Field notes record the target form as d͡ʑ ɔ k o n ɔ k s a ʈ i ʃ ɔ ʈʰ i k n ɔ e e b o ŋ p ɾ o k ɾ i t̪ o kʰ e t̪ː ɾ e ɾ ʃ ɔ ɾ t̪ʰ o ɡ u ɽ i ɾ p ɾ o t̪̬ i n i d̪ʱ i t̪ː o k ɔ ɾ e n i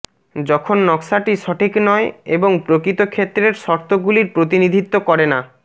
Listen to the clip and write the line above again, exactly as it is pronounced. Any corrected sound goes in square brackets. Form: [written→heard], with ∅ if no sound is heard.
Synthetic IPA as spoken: d͡ʑ ɔ [k→kʰ] o [n→nː] ɔ k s a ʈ i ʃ ɔ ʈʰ i k n ɔ e e b o ŋ p ɾ o k ɾ i t̪ o kʰ e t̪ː ɾ e ɾ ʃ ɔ ɾ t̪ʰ o ɡ u [ɽ→l] i ɾ p ɾ o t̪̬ i n i d̪ʱ i t̪ː o k ɔ ɾ e n [i→a]